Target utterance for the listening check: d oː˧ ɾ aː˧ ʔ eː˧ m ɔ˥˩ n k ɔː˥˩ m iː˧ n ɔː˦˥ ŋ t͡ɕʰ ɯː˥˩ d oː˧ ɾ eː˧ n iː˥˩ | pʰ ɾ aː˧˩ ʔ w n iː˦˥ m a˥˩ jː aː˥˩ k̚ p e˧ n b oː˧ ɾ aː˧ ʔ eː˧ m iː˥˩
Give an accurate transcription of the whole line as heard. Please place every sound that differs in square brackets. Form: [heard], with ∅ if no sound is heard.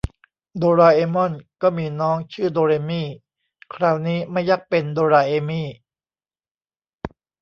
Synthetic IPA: d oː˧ ɾ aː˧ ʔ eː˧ m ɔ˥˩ n k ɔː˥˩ m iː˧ n ɔː˦˥ ŋ t͡ɕʰ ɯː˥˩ d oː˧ ɾ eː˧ [m] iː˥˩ | [kʰ] ɾ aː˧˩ [∅] w n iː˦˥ m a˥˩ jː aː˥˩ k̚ p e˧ n [d] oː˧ ɾ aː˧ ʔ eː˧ m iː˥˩